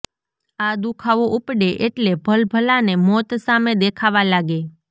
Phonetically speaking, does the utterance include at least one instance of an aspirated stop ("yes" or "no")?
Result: yes